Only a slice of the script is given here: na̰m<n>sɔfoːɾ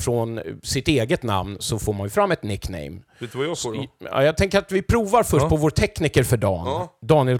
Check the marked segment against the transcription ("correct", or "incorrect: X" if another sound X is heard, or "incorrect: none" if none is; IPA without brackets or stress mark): correct